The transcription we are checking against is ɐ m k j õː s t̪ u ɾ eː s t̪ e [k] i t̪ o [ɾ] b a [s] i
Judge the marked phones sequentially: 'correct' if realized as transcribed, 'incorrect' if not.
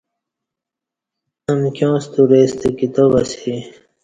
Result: correct, incorrect, correct

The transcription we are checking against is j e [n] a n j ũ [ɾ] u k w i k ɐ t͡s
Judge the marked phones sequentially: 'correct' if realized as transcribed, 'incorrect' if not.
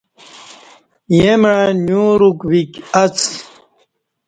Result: incorrect, correct

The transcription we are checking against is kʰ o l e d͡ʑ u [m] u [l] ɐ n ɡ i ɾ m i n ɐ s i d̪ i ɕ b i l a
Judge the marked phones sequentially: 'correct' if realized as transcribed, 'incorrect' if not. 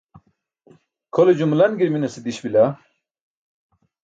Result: correct, correct

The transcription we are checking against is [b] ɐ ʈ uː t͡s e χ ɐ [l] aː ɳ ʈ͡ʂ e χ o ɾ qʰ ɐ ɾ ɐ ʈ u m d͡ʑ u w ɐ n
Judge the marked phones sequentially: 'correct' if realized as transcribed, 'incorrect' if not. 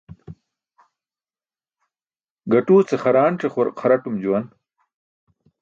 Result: incorrect, incorrect

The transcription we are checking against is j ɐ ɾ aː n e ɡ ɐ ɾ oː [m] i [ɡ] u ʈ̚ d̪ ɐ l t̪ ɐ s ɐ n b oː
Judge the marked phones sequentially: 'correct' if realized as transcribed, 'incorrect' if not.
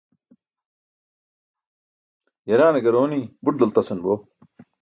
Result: incorrect, incorrect

